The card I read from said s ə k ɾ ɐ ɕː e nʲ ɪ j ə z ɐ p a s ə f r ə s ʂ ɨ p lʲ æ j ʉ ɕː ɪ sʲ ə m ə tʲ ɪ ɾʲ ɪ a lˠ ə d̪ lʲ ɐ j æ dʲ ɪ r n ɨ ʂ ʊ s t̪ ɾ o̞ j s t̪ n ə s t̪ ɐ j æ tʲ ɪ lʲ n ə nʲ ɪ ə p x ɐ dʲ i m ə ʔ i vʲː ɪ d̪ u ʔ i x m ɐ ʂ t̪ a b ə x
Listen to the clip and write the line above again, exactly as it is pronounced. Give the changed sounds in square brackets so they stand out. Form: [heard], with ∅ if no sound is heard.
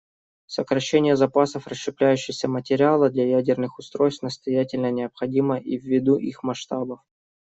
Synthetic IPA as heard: s ə k ɾ ɐ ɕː e nʲ ɪ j ə z ɐ p a s ə f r ə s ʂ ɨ p lʲ æ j ʉ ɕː ɪ sʲ ə m ə tʲ ɪ ɾʲ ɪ a lˠ ə d̪ lʲ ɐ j æ dʲ ɪ r n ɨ [x] ʊ s t̪ ɾ o̞ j s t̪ n ə s t̪ ɐ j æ tʲ ɪ lʲ n ə nʲ ɪ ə p x ɐ dʲ i m ə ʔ i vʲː ɪ d̪ u ʔ i x m ɐ ʂ t̪ a b ə [f]